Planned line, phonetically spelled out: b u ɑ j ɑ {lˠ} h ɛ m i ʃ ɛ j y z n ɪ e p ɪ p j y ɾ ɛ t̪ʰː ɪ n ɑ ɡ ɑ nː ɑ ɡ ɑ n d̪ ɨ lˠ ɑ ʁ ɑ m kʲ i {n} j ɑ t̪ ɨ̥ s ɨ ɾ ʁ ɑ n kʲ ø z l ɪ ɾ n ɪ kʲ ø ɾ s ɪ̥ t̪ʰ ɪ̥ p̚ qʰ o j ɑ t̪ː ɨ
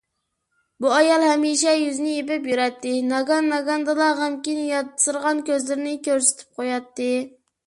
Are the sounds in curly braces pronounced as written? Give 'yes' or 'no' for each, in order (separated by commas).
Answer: yes, yes